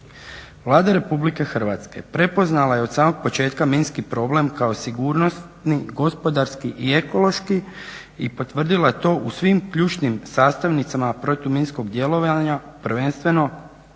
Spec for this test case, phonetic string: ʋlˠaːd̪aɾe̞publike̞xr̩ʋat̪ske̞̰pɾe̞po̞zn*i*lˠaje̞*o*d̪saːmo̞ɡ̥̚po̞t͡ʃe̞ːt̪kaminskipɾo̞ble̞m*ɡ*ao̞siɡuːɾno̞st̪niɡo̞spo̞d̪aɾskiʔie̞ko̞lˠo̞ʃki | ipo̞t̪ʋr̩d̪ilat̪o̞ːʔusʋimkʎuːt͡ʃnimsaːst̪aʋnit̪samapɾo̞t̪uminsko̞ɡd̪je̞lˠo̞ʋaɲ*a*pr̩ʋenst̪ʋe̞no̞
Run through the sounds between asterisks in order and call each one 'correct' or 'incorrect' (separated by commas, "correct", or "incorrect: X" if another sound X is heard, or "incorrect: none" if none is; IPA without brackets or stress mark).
incorrect: a, correct, incorrect: k, correct